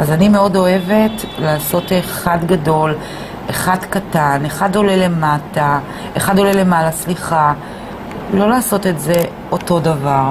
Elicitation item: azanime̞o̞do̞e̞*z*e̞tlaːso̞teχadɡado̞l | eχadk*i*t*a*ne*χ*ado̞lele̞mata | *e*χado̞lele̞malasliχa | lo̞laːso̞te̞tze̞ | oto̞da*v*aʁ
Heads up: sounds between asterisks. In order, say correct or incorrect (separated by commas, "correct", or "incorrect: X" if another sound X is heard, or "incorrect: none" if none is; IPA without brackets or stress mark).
incorrect: v, incorrect: a, correct, correct, correct, correct